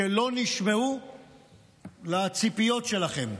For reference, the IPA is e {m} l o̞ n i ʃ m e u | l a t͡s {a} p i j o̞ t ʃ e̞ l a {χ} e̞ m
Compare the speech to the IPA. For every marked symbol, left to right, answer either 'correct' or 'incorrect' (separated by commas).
incorrect, incorrect, correct